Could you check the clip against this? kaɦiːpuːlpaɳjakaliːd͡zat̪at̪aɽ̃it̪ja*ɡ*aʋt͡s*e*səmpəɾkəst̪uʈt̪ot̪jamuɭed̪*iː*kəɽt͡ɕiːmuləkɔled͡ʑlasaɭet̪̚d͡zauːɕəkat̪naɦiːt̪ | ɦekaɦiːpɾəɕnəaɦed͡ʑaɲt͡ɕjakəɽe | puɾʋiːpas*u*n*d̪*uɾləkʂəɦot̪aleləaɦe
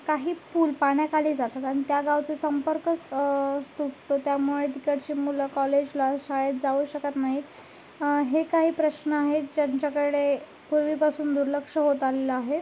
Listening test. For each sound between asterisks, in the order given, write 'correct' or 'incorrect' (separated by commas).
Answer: correct, correct, incorrect, incorrect, correct